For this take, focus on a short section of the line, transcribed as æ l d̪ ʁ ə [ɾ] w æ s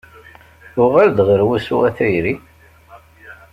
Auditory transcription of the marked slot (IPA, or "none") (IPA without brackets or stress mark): ɾ